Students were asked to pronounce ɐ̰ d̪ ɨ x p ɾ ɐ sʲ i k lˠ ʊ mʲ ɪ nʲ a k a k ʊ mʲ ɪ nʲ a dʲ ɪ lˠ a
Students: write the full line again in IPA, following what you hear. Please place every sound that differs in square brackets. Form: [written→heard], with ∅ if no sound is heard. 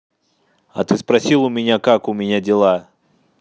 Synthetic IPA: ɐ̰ [d̪→t̪] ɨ [x→s] p ɾ ɐ sʲ i [k→∅] lˠ ʊ mʲ ɪ nʲ a k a k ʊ mʲ ɪ nʲ a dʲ ɪ lˠ a